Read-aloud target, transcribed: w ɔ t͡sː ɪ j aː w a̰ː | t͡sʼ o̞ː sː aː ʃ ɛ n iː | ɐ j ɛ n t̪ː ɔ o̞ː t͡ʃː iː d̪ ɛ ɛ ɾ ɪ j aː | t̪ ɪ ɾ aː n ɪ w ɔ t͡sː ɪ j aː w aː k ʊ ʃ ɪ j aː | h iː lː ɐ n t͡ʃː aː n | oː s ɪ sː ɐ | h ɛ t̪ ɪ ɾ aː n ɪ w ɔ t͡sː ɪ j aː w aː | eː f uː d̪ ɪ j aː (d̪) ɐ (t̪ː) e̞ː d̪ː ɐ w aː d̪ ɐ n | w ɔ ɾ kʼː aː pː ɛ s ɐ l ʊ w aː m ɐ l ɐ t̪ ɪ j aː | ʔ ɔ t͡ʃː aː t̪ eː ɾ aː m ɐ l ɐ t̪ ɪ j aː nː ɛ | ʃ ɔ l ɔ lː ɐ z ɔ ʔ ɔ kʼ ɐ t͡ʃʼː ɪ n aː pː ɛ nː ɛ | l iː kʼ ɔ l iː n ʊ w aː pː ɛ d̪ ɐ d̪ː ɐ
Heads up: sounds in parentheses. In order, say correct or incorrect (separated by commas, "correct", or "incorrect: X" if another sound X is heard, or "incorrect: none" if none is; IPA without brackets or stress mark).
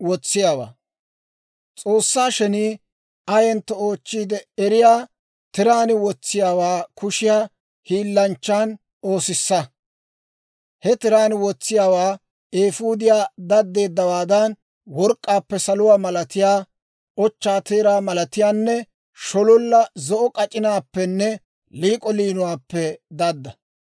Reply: correct, incorrect: d̪ː